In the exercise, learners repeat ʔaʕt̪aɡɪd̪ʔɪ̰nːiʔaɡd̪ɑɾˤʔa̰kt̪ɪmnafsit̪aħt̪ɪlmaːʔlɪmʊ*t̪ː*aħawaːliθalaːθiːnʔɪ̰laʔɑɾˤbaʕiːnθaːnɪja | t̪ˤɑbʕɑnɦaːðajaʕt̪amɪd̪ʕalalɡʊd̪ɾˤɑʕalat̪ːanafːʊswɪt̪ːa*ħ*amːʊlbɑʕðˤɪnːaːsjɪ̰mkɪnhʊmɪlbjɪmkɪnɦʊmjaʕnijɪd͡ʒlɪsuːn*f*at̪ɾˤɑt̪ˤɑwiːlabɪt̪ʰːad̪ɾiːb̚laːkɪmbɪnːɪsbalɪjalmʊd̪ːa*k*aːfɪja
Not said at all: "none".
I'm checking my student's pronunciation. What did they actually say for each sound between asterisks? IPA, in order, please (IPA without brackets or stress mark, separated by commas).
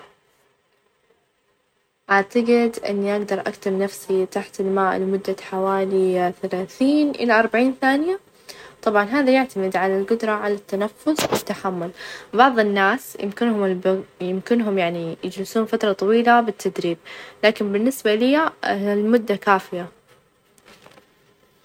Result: d̪ː, ħ, f, k